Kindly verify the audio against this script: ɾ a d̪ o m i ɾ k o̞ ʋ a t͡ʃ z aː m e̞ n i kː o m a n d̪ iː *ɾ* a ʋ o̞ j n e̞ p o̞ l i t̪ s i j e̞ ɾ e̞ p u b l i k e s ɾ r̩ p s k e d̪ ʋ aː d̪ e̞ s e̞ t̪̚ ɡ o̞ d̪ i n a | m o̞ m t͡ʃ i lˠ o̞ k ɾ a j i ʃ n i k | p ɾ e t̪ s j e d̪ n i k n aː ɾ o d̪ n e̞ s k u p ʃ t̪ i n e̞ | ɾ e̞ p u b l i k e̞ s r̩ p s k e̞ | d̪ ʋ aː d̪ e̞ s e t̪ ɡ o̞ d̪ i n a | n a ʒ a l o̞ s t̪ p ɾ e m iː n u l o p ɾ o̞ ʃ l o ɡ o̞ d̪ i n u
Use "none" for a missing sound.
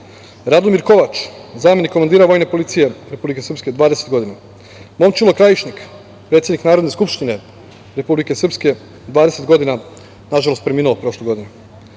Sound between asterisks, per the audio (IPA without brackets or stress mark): ɾ